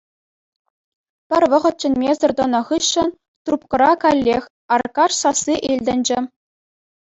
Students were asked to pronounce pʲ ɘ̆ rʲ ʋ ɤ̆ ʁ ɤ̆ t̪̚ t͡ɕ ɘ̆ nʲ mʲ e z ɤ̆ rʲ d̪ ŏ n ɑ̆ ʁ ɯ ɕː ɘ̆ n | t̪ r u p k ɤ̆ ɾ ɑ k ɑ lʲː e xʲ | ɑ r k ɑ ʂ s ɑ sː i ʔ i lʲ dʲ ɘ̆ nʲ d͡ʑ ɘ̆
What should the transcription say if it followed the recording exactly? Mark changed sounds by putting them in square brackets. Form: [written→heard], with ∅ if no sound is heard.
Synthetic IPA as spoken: pʲ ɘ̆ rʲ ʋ ɤ̆ ʁ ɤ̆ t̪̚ t͡ɕ ɘ̆ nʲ mʲ e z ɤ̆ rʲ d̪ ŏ n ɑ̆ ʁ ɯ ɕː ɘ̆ n | t̪ r u p k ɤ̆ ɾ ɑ k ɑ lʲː e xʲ | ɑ r k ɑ ʂ s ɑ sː i ʔ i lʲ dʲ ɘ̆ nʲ d͡ʑ ɘ̆